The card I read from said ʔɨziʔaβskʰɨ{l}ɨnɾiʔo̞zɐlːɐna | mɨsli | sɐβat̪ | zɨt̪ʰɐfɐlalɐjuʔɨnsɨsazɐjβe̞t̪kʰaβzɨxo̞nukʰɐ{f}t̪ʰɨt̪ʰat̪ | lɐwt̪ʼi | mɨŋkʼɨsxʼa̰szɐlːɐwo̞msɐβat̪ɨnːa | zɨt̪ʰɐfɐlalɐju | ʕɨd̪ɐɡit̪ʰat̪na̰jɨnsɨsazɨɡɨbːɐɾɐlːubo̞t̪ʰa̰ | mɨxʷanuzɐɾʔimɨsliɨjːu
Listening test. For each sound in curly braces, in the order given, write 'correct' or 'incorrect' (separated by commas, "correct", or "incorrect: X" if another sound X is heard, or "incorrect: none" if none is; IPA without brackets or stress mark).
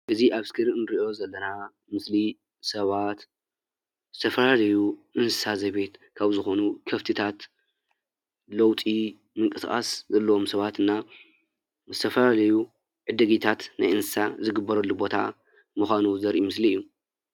incorrect: ɾ, correct